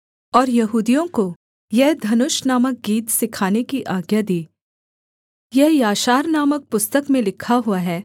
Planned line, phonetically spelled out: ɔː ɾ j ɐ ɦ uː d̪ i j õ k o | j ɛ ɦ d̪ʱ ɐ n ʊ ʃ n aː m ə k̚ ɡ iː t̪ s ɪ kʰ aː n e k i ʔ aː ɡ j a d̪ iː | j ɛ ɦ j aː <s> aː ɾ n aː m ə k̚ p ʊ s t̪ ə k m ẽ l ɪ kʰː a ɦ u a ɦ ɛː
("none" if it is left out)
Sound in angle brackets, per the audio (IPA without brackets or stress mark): ʃ